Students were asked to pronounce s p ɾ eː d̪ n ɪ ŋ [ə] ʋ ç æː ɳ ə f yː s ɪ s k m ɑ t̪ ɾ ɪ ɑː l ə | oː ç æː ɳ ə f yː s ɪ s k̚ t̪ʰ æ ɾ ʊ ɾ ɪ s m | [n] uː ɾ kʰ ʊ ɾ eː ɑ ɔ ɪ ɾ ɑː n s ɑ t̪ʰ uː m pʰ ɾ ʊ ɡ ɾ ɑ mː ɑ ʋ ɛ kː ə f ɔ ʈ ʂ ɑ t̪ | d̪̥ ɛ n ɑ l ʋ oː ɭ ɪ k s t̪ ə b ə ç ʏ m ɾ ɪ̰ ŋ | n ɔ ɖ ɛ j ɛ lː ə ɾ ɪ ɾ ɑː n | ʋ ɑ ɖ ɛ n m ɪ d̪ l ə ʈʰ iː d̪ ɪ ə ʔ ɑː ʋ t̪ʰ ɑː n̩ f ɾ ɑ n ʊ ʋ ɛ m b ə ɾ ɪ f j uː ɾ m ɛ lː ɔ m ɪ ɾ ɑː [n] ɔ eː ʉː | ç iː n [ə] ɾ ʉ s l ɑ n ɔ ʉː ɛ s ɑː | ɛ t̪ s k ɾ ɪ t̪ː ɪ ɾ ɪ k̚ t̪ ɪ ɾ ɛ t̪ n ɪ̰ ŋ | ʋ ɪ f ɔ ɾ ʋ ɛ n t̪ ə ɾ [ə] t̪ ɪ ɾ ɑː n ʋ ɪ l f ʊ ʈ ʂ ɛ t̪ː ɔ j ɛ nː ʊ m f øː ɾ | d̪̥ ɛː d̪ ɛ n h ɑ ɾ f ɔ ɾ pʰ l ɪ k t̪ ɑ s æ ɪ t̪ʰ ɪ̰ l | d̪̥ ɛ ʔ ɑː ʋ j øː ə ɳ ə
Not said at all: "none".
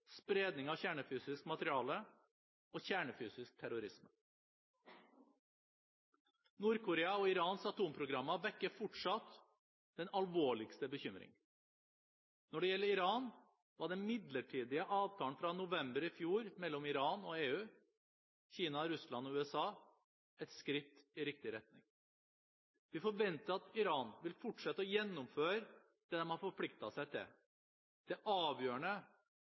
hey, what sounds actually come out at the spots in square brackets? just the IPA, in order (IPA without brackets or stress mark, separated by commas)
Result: ɑ, n, n, ɑ, ɑ